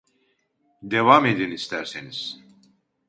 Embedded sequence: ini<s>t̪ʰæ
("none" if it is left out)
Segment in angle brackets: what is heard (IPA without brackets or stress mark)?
s